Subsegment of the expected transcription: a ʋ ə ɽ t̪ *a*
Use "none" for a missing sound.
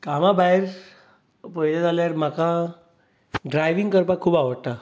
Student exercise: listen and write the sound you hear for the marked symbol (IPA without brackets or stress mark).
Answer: a